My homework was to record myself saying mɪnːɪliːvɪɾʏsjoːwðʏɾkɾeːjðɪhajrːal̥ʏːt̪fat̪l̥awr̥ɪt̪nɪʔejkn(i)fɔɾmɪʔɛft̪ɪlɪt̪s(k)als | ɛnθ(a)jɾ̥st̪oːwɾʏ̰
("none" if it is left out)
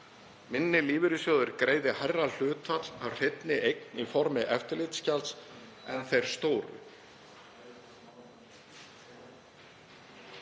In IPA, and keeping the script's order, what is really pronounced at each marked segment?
i, c, e

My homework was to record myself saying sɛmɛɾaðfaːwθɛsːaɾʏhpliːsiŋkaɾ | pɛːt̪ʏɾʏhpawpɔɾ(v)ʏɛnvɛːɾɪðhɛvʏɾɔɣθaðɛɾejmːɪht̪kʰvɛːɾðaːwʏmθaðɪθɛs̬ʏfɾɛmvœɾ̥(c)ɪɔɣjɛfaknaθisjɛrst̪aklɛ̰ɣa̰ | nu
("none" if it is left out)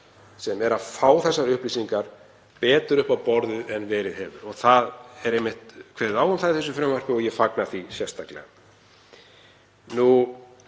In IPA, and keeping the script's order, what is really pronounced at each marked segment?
ð, p

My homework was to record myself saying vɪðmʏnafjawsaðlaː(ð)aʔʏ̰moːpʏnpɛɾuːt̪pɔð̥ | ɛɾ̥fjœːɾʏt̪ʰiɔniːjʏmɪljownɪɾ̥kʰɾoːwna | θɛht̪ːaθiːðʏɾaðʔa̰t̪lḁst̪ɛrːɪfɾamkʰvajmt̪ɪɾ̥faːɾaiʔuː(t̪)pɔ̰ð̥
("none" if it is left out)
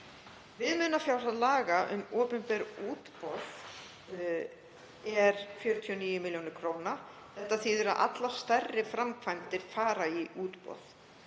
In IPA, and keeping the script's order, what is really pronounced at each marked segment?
ɣ, t̪

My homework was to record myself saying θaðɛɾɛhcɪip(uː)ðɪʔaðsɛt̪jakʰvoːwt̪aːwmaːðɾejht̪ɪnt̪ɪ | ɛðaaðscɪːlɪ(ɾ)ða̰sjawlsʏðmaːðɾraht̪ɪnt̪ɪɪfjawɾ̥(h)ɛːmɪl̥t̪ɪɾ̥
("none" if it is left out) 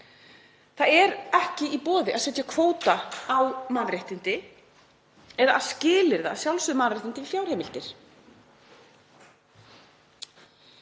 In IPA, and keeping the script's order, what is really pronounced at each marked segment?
ɔː, ɾ, h

